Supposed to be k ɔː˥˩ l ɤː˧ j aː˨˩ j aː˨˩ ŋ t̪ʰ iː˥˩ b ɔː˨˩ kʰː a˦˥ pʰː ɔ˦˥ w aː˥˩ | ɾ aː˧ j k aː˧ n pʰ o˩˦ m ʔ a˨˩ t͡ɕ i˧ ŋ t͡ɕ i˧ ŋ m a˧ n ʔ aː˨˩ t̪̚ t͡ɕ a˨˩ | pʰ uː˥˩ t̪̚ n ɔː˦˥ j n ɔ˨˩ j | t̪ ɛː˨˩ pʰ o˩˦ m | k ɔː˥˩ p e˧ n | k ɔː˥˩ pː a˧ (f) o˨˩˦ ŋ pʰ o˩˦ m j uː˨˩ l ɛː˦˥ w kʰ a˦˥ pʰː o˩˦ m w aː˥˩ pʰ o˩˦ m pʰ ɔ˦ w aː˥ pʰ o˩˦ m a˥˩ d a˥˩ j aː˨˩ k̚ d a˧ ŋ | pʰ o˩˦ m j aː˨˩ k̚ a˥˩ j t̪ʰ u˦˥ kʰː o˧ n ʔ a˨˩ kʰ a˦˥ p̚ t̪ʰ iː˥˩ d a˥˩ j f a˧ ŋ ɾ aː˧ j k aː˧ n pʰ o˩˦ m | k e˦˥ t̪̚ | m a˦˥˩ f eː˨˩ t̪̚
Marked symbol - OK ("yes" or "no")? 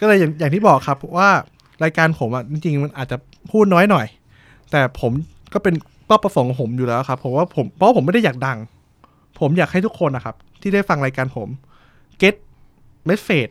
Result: yes